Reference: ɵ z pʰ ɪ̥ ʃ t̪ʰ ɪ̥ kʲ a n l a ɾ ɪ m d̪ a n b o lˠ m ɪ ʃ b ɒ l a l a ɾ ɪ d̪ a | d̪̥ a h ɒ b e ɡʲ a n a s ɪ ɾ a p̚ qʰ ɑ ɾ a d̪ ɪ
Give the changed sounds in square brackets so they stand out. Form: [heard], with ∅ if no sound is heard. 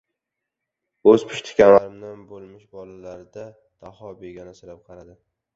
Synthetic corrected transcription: ɵ z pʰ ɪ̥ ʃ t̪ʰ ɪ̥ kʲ a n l a ɾ ɪ m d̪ a n b o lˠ m ɪ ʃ b ɒ l a l a ɾ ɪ d̪ a | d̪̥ a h ɒ b e ɡʲ a n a s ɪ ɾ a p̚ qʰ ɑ ɾ a d̪ ɪ